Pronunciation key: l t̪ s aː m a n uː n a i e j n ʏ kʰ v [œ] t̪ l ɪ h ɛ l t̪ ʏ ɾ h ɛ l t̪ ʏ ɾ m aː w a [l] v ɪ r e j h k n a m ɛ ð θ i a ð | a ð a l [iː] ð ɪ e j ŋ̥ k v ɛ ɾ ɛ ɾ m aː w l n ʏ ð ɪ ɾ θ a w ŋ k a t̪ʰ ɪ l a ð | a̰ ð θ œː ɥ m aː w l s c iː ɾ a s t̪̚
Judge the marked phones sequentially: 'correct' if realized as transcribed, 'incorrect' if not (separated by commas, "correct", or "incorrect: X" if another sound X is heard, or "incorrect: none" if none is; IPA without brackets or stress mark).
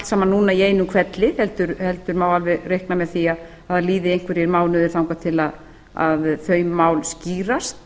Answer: incorrect: ɛ, correct, correct